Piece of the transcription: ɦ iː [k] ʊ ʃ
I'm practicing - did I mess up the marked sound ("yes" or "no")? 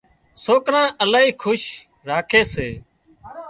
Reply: yes